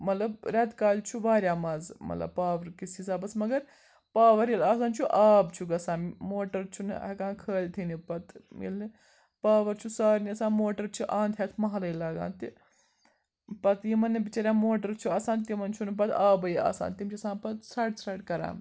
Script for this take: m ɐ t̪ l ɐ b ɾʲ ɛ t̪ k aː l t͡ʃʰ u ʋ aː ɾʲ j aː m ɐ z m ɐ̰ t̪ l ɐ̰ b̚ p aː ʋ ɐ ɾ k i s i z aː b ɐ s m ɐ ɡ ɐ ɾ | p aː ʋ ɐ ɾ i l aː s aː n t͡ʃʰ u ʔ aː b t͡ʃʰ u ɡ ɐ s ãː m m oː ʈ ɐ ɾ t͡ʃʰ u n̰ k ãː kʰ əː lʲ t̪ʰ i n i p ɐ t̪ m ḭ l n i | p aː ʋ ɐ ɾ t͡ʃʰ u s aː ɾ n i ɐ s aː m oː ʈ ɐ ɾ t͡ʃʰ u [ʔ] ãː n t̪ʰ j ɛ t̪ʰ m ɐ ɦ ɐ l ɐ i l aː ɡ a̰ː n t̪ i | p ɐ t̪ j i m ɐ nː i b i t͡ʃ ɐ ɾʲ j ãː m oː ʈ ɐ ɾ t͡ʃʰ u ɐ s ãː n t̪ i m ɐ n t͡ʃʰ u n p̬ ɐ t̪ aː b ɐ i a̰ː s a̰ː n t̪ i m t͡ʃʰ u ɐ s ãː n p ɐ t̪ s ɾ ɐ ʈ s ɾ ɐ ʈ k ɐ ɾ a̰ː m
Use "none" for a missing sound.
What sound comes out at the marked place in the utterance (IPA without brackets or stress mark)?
ʔ